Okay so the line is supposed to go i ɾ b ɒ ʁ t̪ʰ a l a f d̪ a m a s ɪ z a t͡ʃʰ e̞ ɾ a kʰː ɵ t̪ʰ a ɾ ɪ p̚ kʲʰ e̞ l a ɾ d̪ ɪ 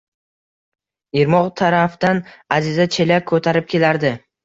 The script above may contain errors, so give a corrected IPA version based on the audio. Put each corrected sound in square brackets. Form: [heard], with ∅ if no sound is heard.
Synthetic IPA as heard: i ɾ [m] ɒ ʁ t̪ʰ a [ɾ] a f d̪ a [n] a [z] ɪ z a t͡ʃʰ e̞ [l] a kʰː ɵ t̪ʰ a ɾ ɪ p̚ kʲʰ e̞ l a ɾ d̪ ɪ